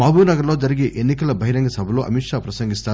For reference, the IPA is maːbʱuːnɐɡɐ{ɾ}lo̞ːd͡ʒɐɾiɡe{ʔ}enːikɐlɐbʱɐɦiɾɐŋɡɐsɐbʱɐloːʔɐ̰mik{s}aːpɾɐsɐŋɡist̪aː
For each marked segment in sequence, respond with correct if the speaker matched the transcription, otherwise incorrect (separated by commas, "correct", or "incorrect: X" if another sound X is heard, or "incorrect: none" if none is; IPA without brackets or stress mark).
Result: correct, correct, incorrect: ʂ